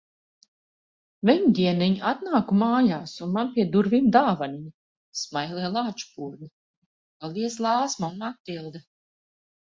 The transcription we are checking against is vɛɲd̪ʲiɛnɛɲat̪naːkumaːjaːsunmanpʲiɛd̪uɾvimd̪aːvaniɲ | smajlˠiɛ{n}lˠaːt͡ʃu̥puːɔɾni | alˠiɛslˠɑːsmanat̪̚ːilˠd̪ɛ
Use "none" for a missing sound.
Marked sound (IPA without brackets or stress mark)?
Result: none